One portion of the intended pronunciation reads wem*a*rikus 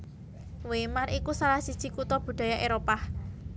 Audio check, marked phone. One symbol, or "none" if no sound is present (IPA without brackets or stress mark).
a